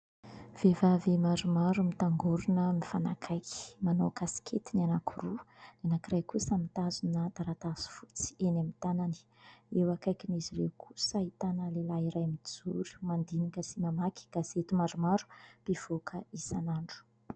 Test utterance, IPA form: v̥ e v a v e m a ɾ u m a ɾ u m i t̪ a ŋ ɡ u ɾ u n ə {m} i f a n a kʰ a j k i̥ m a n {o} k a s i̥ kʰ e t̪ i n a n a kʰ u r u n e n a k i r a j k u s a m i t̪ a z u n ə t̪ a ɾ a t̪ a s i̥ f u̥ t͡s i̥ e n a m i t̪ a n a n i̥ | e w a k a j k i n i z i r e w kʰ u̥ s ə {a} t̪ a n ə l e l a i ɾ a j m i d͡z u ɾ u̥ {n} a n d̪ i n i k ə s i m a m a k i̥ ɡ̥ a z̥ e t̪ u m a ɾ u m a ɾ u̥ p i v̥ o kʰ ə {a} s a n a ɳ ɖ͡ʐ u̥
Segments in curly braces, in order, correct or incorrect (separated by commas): correct, correct, incorrect, incorrect, incorrect